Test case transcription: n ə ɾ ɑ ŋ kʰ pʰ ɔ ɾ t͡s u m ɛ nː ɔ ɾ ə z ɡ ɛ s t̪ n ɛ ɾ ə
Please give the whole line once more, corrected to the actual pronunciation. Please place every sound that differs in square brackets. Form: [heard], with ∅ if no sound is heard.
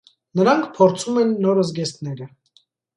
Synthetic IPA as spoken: n ə ɾ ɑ ŋ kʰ pʰ ɔ ɾ [t͡sʰ] u m ɛ nː ɔ ɾ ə z ɡ ɛ s t̪ n ɛ ɾ ə

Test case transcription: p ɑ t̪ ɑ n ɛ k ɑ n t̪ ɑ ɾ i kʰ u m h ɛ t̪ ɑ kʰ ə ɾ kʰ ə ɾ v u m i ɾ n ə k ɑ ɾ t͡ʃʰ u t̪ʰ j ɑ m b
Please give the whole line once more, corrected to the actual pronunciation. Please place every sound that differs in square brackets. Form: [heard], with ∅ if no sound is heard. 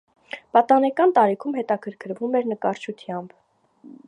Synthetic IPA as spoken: p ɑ t̪ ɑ n ɛ k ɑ n t̪ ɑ ɾ i kʰ u m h ɛ t̪ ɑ kʰ ə ɾ kʰ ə ɾ v u m [ɛ] ɾ n ə k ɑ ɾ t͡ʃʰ u t̪ʰ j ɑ m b

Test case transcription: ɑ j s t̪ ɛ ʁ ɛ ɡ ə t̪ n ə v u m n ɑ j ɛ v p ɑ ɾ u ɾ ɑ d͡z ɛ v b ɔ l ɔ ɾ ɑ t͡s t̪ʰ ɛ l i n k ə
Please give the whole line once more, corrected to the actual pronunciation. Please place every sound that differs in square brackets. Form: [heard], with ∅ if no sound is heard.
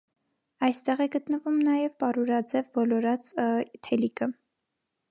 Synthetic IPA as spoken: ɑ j s t̪ ɛ ʁ ɛ ɡ ə t̪ n ə v u m n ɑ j ɛ v p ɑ ɾ u ɾ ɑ d͡z ɛ v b ɔ l ɔ ɾ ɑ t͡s t̪ʰ ɛ l i [∅] k ə

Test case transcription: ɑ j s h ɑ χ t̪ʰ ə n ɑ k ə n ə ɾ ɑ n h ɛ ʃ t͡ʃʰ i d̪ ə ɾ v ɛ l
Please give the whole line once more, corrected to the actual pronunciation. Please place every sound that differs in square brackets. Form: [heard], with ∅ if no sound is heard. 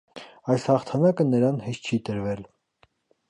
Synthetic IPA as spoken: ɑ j s h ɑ χ t̪ʰ [ɑ] n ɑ k ə n ə ɾ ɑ n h ɛ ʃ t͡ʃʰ i [t̪] ə ɾ v ɛ l

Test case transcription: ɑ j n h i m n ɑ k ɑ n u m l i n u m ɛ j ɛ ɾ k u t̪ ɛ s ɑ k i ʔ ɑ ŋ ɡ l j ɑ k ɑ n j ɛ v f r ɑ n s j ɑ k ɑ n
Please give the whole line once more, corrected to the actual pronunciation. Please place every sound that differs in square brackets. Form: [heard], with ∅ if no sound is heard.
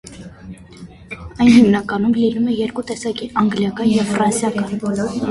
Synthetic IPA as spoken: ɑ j n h i m n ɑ k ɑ n u m l i n u m ɛ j ɛ ɾ k u t̪ ɛ s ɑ k i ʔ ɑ ŋ ɡ l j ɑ k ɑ n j ɛ v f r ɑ n s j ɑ k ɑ n

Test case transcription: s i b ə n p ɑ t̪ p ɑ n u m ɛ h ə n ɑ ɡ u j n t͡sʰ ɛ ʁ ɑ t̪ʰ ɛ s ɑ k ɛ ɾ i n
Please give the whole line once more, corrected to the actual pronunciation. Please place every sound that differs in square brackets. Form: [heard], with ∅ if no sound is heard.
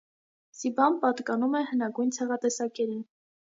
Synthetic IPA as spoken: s i b [ɑ] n p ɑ t̪ [k] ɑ n u m ɛ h ə n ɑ ɡ u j n t͡sʰ ɛ ʁ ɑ [t̪] ɛ s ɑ k ɛ ɾ i n

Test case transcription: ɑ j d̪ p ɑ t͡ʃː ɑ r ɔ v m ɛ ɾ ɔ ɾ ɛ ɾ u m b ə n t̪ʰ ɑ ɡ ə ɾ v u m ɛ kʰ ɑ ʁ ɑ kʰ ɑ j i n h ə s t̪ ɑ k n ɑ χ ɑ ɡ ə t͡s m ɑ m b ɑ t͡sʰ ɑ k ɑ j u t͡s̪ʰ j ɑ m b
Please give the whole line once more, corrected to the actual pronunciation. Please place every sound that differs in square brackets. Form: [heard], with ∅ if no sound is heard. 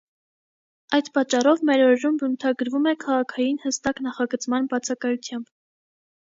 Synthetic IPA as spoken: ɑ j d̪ p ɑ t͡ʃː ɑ r ɔ v m ɛ ɾ ɔ ɾ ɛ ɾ u m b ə n t̪ʰ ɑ ɡ ə ɾ v u m ɛ kʰ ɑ ʁ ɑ kʰ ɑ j i n h ə s t̪ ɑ k n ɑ χ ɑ ɡ ə t͡s m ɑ [n] b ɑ t͡sʰ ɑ k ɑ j u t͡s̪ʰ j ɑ m b

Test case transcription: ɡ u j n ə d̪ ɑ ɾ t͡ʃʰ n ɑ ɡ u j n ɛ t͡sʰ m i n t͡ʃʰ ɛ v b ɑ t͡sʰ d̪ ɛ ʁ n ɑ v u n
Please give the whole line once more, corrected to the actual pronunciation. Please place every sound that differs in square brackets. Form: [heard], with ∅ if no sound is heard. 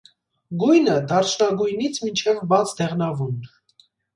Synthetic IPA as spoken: ɡ u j n ə d̪ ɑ ɾ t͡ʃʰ n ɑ ɡ u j n [i] t͡sʰ m i n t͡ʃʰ ɛ v b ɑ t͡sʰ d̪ ɛ ʁ n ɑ v u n

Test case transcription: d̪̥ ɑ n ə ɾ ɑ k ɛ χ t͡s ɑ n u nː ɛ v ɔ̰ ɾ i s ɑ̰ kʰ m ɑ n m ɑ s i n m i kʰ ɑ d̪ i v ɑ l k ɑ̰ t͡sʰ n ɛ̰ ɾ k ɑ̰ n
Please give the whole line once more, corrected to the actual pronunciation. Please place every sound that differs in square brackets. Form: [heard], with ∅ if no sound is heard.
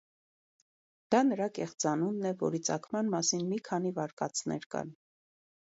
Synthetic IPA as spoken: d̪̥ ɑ n ə ɾ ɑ k ɛ χ t͡s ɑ n u nː ɛ v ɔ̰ ɾ i [t͡s] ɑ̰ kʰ m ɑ n m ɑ s i n m i kʰ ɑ [n̪] i v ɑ [ɾ] k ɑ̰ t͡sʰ n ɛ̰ ɾ k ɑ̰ n

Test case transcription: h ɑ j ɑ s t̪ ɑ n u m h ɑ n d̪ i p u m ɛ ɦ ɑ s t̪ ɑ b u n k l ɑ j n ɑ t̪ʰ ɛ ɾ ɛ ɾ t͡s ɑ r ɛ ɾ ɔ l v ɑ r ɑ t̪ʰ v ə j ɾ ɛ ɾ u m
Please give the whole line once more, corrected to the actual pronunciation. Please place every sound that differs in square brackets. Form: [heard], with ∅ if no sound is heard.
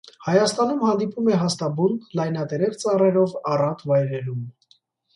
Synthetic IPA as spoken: h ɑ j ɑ s t̪ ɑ n u m h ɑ n d̪ i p u m ɛ ɦ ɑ s t̪ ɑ b u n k l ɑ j n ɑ [t̪] ɛ ɾ ɛ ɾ t͡s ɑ r ɛ ɾ ɔ [∅] v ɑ r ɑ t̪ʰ v [ɑ] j ɾ ɛ ɾ u m

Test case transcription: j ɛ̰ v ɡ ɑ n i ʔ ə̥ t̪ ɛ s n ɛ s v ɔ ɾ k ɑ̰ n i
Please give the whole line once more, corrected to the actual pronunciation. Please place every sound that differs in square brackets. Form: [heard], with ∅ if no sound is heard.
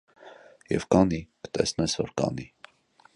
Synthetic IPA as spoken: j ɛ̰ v [k] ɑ n i [k] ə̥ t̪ ɛ s n ɛ s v ɔ ɾ k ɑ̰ n i

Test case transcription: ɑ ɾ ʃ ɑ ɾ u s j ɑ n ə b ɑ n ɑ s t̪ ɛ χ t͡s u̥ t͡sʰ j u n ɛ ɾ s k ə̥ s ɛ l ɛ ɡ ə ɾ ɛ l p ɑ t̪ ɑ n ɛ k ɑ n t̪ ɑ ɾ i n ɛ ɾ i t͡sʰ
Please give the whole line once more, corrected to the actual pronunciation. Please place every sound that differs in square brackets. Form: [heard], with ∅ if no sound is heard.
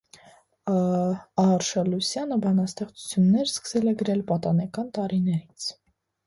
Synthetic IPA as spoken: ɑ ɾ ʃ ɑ [l] u s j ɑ n ə b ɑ n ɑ s t̪ ɛ χ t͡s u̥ t͡sʰ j u [nː] ɛ ɾ s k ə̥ s ɛ l ɛ ɡ ə ɾ ɛ l p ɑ t̪ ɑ n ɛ k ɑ n t̪ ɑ ɾ i n ɛ ɾ i t͡sʰ

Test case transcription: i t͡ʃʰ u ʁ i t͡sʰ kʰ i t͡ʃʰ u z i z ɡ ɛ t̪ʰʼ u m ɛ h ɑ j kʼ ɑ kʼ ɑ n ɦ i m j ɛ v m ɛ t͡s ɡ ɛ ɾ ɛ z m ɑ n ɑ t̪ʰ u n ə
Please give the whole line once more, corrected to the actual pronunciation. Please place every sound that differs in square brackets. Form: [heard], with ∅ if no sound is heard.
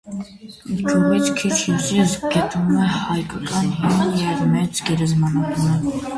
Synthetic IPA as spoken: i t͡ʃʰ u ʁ i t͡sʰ kʰ i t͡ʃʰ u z i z ɡ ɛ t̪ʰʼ u m ɛ h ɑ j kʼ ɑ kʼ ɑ n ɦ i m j ɛ v m ɛ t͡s ɡ ɛ ɾ ɛ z m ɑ n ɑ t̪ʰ u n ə

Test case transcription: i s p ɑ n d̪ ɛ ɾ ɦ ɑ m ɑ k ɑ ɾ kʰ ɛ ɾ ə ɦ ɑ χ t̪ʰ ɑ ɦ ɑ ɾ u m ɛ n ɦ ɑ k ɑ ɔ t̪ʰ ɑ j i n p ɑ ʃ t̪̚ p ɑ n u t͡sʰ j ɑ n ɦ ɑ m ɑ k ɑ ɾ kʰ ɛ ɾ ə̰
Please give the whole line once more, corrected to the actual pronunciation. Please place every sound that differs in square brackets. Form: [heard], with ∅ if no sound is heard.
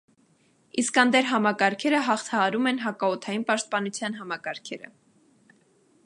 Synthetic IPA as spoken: i s [k] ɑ n d̪ ɛ ɾ ɦ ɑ m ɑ k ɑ ɾ kʰ ɛ ɾ ə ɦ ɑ χ t̪ʰ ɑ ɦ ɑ ɾ u m ɛ n ɦ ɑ k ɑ ɔ t̪ʰ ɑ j i n p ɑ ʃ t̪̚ p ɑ n u t͡sʰ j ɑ n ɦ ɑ m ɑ k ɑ ɾ kʰ ɛ ɾ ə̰

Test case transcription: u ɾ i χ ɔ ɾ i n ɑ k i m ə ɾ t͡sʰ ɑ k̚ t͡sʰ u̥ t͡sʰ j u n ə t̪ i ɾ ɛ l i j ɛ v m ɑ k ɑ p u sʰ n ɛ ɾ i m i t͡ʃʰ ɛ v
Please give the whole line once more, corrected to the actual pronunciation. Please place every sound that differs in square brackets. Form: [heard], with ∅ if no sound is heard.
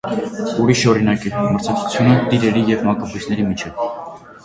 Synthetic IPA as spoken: u ɾ i [ʃ] ɔ ɾ i n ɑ k i m ə ɾ t͡sʰ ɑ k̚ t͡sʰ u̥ t͡sʰ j u n ə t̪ i ɾ ɛ [ɾ] i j ɛ v m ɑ k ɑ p u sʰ n ɛ ɾ i m i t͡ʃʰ ɛ v

